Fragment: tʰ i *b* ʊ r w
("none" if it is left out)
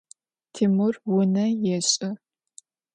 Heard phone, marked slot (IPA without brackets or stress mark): m